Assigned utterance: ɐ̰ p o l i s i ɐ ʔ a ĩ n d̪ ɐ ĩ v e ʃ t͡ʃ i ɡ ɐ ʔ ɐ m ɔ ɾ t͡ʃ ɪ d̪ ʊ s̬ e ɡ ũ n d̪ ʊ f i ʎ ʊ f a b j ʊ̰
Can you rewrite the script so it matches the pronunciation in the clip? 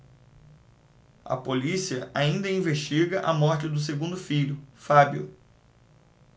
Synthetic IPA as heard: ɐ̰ p o l i s i ɐ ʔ a ĩ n d̪ ɐ ĩ v e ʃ t͡ʃ i ɡ ɐ ʔ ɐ m ɔ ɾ t͡ʃ ɪ d̪ ʊ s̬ e ɡ ũ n d̪ ʊ f i ʎ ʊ f a b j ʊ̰